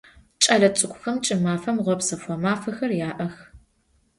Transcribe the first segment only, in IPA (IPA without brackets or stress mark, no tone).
t͡ʃʼ